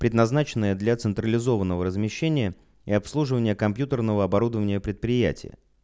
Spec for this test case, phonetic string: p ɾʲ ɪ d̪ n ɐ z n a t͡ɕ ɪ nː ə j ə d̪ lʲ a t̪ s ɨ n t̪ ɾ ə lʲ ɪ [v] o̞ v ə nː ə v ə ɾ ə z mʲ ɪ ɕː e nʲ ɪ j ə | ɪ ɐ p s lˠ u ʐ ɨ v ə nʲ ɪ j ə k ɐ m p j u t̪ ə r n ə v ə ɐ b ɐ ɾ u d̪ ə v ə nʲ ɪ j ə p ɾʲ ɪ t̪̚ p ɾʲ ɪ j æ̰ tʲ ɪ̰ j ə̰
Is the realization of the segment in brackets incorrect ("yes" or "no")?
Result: yes